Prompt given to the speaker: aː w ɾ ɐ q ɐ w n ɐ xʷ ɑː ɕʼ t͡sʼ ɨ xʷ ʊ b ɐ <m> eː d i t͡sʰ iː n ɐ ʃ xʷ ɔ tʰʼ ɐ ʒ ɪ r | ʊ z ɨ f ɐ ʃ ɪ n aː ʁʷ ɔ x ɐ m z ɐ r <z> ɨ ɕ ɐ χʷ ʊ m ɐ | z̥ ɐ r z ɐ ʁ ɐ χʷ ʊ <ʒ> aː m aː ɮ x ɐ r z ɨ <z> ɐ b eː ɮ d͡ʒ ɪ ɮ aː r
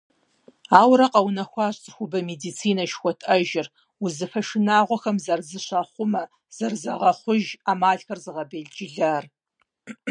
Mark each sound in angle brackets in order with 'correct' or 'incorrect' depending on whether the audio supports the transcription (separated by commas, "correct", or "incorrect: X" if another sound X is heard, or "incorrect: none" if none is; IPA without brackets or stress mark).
correct, correct, correct, incorrect: ʁ